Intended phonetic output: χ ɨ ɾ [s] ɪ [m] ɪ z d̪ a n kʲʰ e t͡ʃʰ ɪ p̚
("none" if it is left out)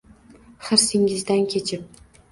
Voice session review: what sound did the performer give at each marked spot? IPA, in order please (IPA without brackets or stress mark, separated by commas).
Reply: s, ŋ